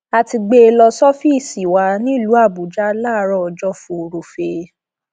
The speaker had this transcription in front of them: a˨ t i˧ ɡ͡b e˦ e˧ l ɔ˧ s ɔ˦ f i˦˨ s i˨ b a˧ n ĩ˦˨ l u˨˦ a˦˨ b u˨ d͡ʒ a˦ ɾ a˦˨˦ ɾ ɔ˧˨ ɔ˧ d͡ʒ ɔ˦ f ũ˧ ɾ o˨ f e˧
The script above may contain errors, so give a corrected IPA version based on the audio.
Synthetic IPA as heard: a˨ t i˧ ɡ͡b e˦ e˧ l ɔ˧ s ɔ˦ f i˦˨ s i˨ w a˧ n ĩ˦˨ l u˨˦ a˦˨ b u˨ d͡ʒ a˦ l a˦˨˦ ɾ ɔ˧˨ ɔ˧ d͡ʒ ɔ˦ f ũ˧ ɾ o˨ f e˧